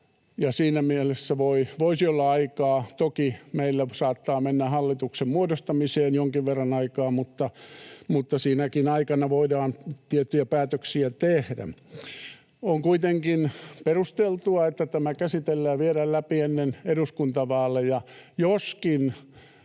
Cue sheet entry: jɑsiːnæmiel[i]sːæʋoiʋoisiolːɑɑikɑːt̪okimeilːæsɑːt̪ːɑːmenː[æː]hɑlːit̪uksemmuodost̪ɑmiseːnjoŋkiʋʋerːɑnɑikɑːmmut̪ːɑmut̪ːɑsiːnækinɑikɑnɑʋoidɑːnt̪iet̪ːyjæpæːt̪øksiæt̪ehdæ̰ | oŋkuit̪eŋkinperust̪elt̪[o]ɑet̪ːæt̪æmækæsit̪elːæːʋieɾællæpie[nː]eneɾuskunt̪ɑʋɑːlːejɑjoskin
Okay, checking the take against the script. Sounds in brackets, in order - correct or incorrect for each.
incorrect, incorrect, incorrect, correct

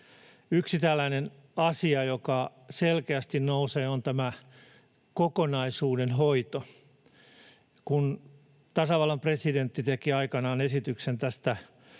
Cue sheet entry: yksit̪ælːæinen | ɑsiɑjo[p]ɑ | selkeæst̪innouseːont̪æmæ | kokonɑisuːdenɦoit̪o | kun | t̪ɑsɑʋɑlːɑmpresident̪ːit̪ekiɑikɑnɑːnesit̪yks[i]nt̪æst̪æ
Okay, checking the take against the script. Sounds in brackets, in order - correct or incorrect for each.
incorrect, incorrect

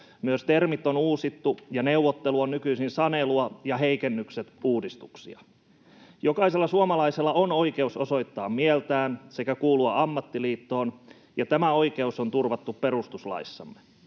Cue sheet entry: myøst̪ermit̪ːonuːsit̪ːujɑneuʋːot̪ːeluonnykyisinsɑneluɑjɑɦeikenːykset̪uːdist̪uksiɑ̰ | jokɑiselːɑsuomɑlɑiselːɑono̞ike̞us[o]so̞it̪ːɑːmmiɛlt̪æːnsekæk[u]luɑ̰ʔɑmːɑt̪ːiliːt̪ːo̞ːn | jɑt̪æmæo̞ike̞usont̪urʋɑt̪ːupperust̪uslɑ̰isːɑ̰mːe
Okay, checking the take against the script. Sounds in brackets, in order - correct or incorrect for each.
correct, incorrect

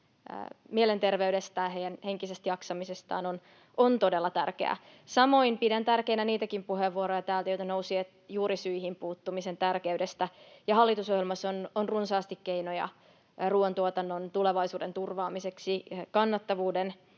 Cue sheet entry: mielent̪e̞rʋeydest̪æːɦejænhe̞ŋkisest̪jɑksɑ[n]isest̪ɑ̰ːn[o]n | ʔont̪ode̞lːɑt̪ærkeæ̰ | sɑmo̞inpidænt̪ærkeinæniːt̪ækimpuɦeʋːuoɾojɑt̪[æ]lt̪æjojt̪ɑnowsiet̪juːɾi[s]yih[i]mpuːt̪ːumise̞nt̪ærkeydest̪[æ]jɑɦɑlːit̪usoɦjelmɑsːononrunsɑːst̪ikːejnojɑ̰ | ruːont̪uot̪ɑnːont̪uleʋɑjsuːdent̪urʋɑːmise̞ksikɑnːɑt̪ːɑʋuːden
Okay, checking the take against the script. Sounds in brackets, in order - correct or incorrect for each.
incorrect, correct, incorrect, correct, correct, correct

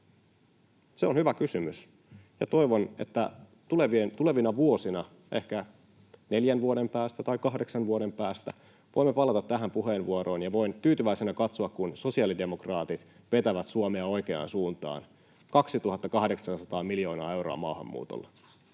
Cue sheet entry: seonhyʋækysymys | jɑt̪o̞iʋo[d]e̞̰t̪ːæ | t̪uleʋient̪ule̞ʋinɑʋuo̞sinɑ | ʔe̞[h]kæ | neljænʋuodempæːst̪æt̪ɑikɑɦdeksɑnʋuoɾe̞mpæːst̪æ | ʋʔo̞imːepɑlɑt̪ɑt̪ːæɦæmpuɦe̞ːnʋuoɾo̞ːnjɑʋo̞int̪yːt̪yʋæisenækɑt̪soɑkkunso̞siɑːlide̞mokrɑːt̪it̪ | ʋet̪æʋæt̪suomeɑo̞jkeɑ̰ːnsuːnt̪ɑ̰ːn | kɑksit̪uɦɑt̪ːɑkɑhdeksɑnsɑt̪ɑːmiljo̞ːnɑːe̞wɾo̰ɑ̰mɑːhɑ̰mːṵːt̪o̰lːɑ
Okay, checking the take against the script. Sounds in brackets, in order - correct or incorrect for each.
incorrect, correct

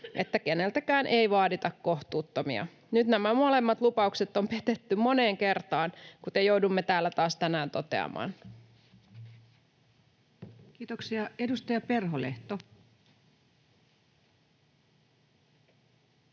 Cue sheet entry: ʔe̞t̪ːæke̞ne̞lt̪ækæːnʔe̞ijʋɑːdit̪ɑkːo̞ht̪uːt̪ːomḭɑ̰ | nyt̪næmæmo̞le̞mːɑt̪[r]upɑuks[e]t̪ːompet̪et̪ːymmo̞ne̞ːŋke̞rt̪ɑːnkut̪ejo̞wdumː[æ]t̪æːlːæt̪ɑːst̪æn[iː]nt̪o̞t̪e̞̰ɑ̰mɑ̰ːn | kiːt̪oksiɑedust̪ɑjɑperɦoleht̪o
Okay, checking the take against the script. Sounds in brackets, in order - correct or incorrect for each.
incorrect, correct, incorrect, incorrect

